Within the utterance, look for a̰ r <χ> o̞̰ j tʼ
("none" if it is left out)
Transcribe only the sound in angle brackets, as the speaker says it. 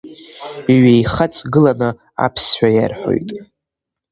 ħ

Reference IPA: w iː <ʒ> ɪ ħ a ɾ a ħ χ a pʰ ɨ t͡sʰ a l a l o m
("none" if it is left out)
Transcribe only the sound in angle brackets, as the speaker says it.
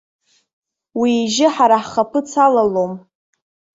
ʒ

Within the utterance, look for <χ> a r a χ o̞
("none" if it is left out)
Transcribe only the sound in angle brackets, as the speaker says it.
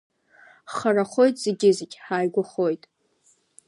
χ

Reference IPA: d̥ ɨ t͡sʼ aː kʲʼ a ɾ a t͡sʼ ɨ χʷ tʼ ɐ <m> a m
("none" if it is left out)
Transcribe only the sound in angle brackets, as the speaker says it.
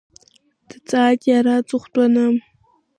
n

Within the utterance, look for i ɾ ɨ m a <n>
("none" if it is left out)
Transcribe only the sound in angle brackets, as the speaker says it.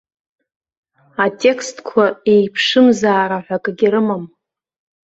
m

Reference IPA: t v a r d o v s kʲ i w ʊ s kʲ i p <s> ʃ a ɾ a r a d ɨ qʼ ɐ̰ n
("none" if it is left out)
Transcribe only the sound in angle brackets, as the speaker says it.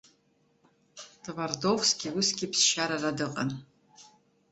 s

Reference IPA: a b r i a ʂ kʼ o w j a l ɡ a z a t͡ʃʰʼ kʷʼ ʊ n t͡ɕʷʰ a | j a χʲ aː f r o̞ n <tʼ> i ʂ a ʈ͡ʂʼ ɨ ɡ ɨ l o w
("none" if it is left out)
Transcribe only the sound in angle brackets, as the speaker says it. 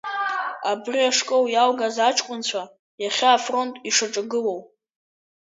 tʼ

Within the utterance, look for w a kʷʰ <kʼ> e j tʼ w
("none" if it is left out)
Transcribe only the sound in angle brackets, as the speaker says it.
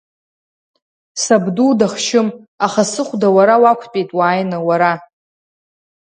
pʼ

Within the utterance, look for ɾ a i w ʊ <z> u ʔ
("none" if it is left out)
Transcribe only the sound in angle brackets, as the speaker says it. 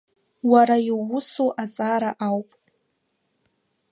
s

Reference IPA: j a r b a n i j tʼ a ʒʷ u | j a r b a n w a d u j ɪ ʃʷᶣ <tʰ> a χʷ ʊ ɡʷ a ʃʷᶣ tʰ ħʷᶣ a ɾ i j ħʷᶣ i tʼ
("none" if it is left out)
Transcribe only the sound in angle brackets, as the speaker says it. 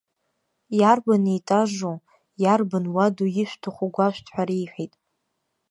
tʰ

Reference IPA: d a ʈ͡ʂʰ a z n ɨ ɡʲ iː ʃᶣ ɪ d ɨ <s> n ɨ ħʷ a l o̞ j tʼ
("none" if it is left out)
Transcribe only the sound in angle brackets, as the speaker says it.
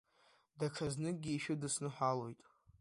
s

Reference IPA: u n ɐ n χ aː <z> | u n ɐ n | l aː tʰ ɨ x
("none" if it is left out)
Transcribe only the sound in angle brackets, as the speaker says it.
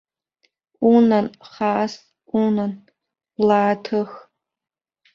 s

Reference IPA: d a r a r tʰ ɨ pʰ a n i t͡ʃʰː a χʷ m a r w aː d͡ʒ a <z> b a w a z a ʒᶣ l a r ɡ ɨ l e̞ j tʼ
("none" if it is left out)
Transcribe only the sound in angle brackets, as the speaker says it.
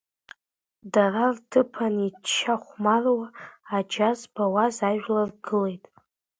z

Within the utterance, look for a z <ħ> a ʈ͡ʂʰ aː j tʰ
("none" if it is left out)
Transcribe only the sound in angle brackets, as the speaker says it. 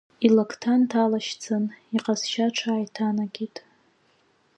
ʃ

